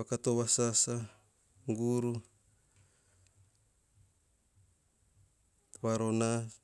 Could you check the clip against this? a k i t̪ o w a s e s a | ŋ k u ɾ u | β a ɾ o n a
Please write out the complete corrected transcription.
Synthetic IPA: a k a t̪ o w a s a s a | ŋ ɡ u ɾ u | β a ɾ o n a